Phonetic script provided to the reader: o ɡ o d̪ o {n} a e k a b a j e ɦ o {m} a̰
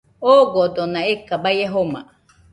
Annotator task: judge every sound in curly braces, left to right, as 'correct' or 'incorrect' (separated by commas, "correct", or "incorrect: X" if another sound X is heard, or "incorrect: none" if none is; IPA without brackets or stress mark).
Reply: correct, correct